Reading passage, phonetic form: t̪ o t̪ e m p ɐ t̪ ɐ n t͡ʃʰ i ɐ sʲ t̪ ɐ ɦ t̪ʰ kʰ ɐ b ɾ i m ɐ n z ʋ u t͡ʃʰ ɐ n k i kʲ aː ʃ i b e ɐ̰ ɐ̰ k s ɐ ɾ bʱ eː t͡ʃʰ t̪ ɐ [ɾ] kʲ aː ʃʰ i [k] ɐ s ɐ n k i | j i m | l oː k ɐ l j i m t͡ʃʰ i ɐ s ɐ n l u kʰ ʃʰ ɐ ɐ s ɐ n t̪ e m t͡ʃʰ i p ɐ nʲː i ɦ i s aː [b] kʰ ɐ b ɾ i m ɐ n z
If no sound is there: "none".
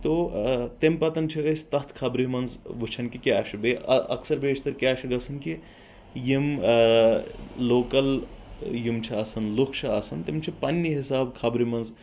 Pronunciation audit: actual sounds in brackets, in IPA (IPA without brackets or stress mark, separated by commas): ɾ, ɡ, b